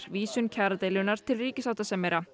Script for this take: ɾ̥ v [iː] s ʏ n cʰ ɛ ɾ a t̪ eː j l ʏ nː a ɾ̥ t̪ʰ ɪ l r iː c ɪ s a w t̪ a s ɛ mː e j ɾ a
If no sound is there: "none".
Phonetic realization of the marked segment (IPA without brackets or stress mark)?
iː